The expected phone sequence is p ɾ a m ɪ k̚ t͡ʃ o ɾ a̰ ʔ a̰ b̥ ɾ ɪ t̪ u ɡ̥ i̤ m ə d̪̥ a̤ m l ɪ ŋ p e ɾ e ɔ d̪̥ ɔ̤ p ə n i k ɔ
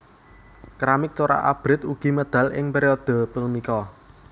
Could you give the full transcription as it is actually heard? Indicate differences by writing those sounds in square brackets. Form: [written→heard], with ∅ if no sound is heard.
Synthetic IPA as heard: [p→k] ɾ a m ɪ k̚ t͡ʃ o ɾ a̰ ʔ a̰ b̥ ɾ ɪ t̪ u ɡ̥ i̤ m ə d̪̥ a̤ [m→∅] l ɪ ŋ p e ɾ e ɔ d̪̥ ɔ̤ p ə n i k ɔ